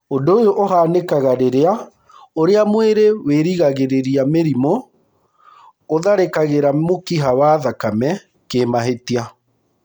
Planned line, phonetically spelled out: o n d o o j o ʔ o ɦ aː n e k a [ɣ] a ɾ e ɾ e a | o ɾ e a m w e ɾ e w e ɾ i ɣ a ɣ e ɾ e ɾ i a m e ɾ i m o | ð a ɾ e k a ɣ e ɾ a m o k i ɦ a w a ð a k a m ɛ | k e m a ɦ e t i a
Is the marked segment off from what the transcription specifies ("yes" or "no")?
no